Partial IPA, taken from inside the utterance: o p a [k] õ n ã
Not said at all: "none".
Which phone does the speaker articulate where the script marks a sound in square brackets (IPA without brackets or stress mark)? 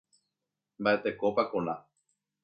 k